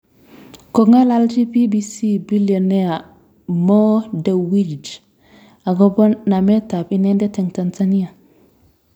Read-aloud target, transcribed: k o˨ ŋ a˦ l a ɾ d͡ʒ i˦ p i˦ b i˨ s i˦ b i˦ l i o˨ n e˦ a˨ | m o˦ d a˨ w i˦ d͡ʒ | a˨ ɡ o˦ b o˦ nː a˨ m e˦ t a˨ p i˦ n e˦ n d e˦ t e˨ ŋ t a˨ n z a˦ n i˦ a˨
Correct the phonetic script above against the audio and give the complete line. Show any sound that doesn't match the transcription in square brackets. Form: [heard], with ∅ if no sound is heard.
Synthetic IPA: k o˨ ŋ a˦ l a [l] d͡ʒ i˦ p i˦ b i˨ s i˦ b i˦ l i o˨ n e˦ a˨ | m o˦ d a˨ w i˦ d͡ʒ | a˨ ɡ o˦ b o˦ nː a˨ m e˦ t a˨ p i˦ n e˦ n d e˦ t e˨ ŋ t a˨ n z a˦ n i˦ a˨